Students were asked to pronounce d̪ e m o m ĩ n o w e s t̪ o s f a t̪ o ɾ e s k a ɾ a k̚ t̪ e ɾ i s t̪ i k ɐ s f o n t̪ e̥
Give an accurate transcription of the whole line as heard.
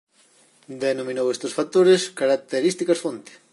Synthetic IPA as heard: d̪ e n o m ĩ n o w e s t̪ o s f a t̪ o ɾ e s k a ɾ a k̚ t̪ e ɾ i s t̪ i k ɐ s f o n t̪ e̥